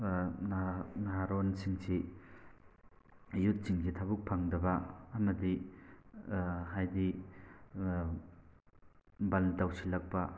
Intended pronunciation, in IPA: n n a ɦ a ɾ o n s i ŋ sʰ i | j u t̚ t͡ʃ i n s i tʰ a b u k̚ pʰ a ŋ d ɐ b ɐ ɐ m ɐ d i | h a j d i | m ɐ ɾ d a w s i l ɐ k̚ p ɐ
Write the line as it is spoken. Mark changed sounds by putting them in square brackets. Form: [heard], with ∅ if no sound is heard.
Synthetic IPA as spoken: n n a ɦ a ɾ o n s i ŋ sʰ i | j u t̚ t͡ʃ i [ŋ] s i tʰ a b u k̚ pʰ a ŋ d ɐ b ɐ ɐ m ɐ d i | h a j d i | [b] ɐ [l] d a w s i l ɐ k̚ p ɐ

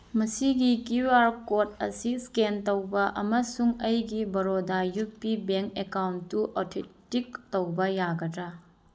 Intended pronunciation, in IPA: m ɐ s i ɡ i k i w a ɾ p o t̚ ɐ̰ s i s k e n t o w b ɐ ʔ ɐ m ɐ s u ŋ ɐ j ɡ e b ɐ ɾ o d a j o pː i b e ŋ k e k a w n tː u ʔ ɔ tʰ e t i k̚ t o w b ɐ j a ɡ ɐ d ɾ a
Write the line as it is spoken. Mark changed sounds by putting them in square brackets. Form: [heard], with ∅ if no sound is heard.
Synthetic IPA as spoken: m ɐ s i ɡ i k i w a ɾ [k] o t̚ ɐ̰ s i s k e n t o w b ɐ ʔ ɐ m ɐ s u ŋ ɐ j ɡ [i] b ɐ ɾ o d a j [u] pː i b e ŋ k e k a w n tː u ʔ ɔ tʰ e t i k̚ t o w b ɐ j a ɡ ɐ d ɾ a

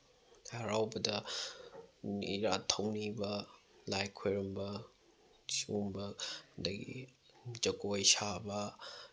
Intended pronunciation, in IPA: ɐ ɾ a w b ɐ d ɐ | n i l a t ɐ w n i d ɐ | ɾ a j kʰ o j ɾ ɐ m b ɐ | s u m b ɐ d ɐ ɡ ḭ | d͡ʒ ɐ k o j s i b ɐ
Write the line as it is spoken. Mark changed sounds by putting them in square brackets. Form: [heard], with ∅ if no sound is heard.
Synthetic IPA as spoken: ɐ ɾ a w b ɐ d ɐ | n i [ɾ] a [tʰ] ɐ w n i [b] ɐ | [l] a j kʰ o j ɾ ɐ m b ɐ | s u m b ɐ d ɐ ɡ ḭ | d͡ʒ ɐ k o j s [a] b ɐ

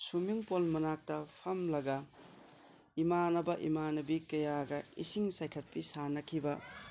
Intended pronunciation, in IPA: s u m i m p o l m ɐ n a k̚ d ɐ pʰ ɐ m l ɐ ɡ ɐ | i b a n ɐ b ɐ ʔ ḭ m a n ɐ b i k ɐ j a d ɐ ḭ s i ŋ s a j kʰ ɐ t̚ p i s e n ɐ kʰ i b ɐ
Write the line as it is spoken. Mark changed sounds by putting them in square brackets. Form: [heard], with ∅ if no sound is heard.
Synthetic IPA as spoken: s u m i [ŋ] p o l m ɐ n a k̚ [t] ɐ pʰ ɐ m l ɐ ɡ ɐ | i [m] a n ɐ b ɐ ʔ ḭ m a n ɐ b i k ɐ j a [ɡ] ɐ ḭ s i ŋ s a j kʰ ɐ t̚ p i s [a] n ɐ kʰ i b ɐ

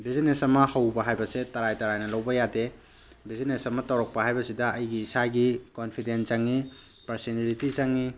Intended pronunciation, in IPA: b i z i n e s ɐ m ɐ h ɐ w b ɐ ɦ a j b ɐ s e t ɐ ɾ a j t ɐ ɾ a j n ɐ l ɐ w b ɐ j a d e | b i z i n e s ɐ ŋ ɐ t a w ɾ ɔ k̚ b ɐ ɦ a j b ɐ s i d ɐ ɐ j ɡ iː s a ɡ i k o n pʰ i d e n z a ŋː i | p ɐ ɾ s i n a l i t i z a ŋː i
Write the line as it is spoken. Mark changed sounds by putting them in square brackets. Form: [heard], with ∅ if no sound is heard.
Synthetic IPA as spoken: b i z i n e s ɐ m ɐ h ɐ w b ɐ ɦ a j b ɐ s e t ɐ ɾ a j t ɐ ɾ a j n ɐ l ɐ w b ɐ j a d e | b i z i n e s ɐ [m] ɐ t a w ɾ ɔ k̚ [p] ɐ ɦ a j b ɐ s i d ɐ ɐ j ɡ iː s a ɡ i k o n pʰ i d e n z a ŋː i | p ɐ ɾ s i n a l i t i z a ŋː i

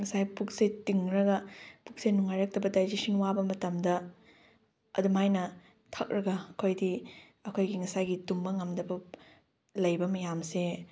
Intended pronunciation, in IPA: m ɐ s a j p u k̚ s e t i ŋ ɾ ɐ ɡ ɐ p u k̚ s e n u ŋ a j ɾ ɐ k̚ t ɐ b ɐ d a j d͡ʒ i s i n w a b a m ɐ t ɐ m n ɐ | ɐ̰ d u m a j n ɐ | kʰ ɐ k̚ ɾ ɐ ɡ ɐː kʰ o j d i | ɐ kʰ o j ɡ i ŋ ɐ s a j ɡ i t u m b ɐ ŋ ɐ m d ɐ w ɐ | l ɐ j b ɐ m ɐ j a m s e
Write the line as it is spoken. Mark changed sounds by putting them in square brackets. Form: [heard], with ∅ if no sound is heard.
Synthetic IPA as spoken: [ŋ] ɐ s a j p u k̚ s e t i ŋ ɾ ɐ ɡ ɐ p u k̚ s e n u ŋ a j ɾ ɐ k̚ t ɐ b ɐ d a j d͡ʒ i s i n w a b [ɐ] m ɐ t ɐ m [d] ɐ | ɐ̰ d u m a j n ɐ | [tʰ] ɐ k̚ ɾ ɐ ɡ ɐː kʰ o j d i | ɐ kʰ o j ɡ i ŋ ɐ s a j ɡ i t u m b ɐ ŋ ɐ m d ɐ [b] ɐ | l ɐ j b ɐ m ɐ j a m s e

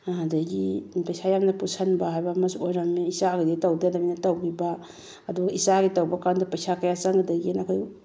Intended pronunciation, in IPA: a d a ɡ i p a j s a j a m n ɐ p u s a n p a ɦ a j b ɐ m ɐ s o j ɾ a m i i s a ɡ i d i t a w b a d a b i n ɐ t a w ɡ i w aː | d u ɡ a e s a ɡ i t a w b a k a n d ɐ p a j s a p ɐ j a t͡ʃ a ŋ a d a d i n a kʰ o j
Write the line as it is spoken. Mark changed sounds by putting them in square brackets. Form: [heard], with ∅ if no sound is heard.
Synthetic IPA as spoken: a d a ɡ i p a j s a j a m n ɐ p u s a n [b] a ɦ a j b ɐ m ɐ s o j ɾ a m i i s a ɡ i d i t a w [d] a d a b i n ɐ t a w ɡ i [b] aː | d u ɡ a [i] s a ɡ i t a w b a k a n d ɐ p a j s a [k] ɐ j a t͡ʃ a ŋ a d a [ɡ] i n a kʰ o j

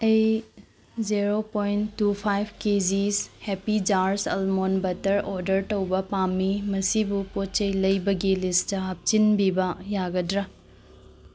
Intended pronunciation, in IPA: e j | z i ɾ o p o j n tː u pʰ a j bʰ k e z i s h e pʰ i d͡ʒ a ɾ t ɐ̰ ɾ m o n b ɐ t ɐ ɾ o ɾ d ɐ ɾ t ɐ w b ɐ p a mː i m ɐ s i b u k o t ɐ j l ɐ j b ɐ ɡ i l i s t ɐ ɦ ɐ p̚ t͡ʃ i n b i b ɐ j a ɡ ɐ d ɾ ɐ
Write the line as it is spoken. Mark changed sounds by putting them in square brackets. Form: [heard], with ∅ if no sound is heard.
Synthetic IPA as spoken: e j | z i ɾ o p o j n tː u pʰ a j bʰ k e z i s h e [p] i d͡ʒ a ɾ [s] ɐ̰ [l] m o n b ɐ t ɐ ɾ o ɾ d ɐ ɾ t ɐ w b ɐ p a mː i m ɐ s i b u [p] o [t͡ʃ] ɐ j l ɐ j b ɐ ɡ i l i s t ɐ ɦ ɐ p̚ t͡ʃ i n b i b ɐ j a ɡ ɐ d ɾ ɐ

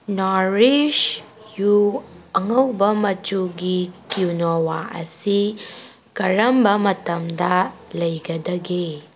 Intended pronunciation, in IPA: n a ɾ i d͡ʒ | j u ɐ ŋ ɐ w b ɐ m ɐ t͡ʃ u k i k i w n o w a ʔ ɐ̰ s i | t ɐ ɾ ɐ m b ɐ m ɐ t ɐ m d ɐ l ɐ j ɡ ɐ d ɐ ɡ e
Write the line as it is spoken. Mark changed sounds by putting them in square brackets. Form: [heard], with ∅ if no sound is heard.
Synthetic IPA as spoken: n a ɾ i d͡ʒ | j u ɐ ŋ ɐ w b ɐ m ɐ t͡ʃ u [ɡ] i k i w n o w a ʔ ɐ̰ s i | [k] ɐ ɾ ɐ m b ɐ m ɐ t ɐ m d ɐ l ɐ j ɡ ɐ d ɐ ɡ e

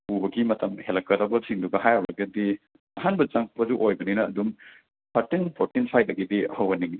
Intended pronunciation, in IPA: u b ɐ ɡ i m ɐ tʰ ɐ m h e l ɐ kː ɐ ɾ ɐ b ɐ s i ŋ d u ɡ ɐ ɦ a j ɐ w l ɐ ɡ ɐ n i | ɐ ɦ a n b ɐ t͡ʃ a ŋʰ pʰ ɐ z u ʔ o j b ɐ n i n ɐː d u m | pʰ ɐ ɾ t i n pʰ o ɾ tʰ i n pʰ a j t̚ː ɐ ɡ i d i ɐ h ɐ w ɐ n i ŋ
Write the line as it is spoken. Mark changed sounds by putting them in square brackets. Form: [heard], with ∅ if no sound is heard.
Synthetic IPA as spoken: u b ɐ ɡ i m ɐ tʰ ɐ m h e l ɐ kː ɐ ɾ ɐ b ɐ s i ŋ d u ɡ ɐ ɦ a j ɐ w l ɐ ɡ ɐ [d] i | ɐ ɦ a n b ɐ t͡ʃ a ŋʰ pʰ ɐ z u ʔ o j b ɐ n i n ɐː d u m | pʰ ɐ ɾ t i n pʰ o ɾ [t] i n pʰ a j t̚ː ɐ ɡ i d i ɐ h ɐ w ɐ n i ŋ

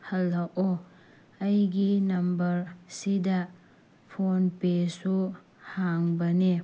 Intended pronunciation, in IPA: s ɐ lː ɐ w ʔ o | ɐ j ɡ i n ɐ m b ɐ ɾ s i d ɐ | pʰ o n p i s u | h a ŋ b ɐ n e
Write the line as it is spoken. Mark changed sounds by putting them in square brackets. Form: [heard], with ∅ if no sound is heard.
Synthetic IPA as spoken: [h] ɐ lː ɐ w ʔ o | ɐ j ɡ i n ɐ m b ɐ ɾ s i d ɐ | pʰ o n p [e] s u | h a ŋ b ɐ n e

